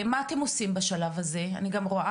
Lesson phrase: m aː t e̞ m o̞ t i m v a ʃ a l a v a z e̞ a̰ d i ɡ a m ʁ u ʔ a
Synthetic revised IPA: m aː t e̞ m o̞ s i m b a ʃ a l a v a z e̞ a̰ n i ɡ a m ʁ o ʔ a